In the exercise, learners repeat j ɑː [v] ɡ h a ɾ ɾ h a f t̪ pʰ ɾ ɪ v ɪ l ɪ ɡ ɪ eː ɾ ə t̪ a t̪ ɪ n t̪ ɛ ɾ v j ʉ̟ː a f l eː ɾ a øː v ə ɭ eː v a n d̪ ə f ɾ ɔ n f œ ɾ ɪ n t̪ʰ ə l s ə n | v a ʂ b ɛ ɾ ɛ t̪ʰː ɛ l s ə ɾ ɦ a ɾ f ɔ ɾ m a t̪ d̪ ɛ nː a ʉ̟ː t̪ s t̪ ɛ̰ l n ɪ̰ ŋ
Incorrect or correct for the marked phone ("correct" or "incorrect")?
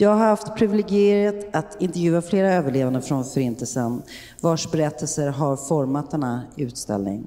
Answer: incorrect